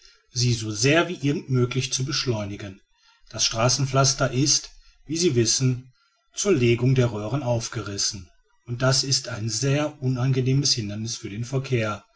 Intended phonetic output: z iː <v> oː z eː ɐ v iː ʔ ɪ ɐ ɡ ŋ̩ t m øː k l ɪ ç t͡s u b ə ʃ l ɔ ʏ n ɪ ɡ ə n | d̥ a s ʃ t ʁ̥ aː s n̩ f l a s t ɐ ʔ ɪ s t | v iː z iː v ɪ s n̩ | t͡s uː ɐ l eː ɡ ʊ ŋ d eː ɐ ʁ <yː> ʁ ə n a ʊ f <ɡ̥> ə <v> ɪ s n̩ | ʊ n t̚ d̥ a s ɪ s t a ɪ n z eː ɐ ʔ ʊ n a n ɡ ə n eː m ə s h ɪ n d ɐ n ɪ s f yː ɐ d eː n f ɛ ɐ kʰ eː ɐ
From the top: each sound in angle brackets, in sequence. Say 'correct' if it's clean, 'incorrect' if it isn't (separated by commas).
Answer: incorrect, incorrect, correct, incorrect